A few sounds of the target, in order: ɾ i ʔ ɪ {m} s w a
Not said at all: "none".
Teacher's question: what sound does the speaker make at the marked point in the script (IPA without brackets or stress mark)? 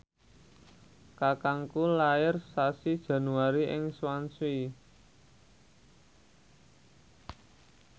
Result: ŋ